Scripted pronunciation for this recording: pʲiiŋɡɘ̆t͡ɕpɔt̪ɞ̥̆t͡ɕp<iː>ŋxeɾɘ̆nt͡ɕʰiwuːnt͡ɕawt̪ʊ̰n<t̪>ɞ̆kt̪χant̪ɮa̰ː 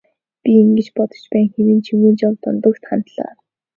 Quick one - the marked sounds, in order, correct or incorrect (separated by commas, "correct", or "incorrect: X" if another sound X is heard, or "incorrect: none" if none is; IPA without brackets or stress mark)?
incorrect: æː, correct